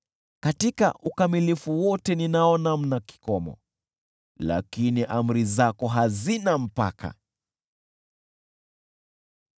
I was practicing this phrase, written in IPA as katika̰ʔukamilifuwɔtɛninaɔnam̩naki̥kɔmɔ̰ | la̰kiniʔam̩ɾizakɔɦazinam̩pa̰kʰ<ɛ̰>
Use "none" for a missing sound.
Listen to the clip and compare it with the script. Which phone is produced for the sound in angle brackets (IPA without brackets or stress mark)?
a̰